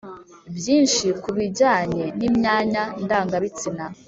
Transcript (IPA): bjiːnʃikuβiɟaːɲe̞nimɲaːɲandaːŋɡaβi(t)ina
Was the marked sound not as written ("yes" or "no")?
yes